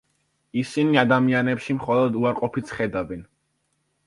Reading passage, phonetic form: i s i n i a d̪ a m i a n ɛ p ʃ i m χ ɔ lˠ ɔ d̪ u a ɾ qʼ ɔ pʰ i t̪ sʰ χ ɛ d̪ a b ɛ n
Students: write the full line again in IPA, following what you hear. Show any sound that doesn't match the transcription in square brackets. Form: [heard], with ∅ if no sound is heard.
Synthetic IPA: i s i n i a d̪ a m i a n ɛ p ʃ i m χ ɔ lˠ ɔ d̪ u a ɾ qʼ ɔ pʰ i t̪ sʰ χ ɛ d̪ a [v] ɛ n